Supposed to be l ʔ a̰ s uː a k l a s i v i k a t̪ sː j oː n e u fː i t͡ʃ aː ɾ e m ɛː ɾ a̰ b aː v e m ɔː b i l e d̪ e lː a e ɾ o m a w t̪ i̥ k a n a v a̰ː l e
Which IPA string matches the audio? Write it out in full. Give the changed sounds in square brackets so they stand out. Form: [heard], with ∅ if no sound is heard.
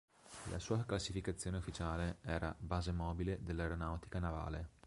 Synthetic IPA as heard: l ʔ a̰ s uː a k l a s i [f] i k a t̪ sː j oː n e u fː i t͡ʃ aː [l] e [∅] ɛː ɾ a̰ b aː [z] e m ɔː b i l e d̪ e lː a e ɾ o [n] a w t̪ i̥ k a n a v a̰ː l e